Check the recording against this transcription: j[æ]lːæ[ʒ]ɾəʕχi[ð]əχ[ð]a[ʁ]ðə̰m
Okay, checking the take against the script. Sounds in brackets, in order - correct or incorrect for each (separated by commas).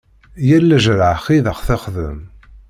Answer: correct, correct, correct, incorrect, incorrect